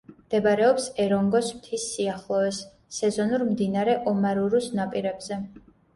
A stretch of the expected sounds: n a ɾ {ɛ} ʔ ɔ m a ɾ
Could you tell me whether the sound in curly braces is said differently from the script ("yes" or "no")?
no